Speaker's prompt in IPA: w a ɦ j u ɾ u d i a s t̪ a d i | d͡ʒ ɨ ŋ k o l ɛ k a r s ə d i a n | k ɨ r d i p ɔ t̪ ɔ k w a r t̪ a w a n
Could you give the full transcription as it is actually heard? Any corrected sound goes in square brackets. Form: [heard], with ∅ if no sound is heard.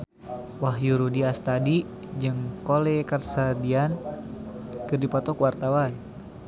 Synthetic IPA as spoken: w a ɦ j u ɾ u d i a s t̪ a d i | d͡ʒ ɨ ŋ k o l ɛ k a r s [a] d i a n | k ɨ r d i p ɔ t̪ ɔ k w a r t̪ a w a n